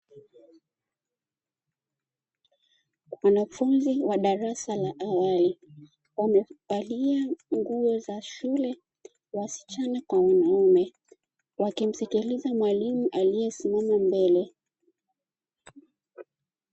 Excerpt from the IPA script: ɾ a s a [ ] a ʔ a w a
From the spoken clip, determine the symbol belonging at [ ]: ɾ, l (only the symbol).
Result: l